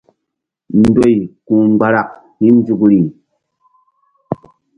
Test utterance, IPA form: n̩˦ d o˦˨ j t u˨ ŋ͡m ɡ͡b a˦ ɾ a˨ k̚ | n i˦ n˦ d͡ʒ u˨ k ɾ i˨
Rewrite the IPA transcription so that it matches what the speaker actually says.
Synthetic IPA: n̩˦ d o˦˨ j k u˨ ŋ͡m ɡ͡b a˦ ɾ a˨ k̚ | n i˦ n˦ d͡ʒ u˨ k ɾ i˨